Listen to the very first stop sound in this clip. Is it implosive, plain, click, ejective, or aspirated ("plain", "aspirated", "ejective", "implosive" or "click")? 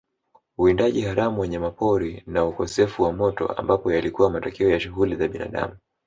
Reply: plain